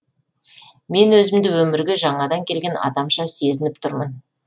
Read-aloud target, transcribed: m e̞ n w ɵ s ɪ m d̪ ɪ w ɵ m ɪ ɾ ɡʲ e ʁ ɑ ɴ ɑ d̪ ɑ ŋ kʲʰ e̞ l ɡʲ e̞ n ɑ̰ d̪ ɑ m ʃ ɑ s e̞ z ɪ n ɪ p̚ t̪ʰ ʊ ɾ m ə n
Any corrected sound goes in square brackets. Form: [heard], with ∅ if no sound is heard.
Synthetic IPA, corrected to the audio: m e̞ n w ɵ [z] ɪ m d̪ ɪ w ɵ m ɪ ɾ ɡʲ e [ʒ] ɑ ɴ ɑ d̪ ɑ ŋ kʲʰ e̞ l ɡʲ e̞ n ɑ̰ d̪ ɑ m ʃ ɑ s e̞ z ɪ n ɪ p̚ t̪ʰ ʊ ɾ m ə n